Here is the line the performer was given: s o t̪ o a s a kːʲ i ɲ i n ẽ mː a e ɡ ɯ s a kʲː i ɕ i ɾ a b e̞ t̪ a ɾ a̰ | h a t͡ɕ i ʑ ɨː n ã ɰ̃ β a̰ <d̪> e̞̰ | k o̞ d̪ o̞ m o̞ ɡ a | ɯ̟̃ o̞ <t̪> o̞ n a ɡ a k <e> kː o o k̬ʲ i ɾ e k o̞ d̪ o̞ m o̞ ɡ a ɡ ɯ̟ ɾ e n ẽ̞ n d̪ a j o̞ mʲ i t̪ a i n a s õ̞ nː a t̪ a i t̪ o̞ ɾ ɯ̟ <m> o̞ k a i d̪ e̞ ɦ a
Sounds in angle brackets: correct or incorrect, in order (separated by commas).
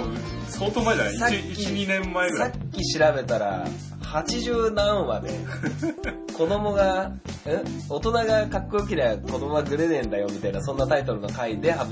correct, correct, incorrect, incorrect